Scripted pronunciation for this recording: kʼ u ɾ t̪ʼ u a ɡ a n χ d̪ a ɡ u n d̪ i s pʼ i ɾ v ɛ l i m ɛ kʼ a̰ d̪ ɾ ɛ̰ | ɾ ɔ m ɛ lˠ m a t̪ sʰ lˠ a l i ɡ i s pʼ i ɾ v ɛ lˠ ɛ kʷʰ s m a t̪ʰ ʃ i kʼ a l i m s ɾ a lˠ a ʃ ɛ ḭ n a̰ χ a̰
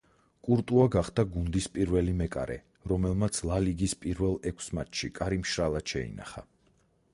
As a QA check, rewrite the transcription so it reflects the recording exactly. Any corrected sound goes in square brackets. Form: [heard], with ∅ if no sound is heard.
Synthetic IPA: kʼ u ɾ t̪ʼ u a ɡ a [∅] χ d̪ a ɡ u n d̪ i s pʼ i ɾ v ɛ l i m ɛ kʼ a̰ [∅] ɾ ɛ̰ | ɾ ɔ m ɛ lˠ m a t̪ sʰ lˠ a l i ɡ i s pʼ i ɾ v ɛ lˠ ɛ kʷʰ s m a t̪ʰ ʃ i kʼ a [ɾ] i m [ʃ] ɾ a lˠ a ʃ ɛ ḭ n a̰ χ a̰